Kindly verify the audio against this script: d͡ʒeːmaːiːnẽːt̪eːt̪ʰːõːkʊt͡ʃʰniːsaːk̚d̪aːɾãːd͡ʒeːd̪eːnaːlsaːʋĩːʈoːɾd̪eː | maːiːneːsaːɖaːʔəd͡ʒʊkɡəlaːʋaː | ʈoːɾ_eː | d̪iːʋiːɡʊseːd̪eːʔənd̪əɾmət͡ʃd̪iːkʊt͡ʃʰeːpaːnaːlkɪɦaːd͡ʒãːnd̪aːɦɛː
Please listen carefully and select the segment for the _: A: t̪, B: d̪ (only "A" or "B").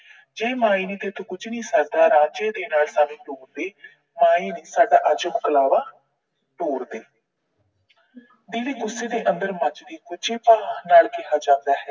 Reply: B